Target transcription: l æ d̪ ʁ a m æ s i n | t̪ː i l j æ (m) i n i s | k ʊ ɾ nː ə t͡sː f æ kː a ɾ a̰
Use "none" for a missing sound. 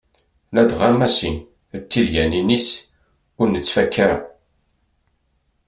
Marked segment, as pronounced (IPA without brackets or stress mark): n